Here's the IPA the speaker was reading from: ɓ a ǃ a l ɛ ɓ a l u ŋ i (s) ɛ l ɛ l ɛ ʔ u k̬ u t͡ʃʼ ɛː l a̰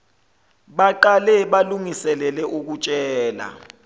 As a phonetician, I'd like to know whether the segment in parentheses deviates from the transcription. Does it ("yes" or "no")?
no